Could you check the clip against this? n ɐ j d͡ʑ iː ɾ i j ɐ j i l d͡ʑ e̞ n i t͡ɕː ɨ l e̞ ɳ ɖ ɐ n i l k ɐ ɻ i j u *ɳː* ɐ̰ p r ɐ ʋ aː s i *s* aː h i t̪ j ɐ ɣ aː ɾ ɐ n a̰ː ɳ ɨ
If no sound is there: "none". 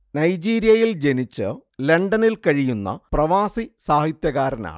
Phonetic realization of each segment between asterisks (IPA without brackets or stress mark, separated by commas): nː, s